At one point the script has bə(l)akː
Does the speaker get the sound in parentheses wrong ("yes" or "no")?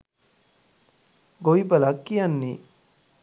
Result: no